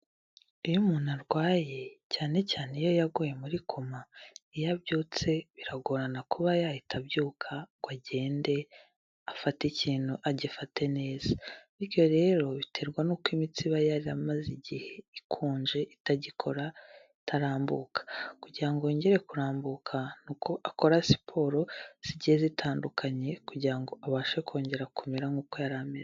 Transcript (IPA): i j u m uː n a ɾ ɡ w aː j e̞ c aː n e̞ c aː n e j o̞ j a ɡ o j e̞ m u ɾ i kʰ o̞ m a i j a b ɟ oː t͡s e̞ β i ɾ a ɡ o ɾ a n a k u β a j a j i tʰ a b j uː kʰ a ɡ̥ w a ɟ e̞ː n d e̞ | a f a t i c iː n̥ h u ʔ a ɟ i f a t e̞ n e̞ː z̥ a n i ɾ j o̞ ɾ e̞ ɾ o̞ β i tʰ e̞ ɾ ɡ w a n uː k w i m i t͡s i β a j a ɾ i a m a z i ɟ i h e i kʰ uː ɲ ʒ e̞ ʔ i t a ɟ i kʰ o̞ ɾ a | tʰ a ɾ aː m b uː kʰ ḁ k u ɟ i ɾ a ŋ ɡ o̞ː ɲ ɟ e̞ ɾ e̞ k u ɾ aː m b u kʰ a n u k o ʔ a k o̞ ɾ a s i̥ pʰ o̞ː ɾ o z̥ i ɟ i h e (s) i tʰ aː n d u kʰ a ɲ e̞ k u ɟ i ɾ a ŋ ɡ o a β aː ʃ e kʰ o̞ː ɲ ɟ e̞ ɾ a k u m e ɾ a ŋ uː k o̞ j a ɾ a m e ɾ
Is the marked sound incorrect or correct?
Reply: incorrect